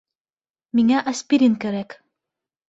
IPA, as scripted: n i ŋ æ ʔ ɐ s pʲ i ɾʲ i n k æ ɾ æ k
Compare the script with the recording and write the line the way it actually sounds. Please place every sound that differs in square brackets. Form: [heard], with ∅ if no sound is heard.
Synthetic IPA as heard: [m] i ŋ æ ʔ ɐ s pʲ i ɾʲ i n k æ ɾ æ k